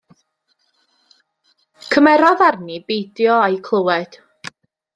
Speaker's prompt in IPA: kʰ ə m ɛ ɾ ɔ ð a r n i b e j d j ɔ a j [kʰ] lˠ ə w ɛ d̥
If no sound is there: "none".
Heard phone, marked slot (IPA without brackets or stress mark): kʰ